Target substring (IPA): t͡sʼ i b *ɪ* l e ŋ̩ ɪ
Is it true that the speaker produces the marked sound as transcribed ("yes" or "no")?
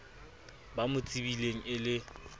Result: no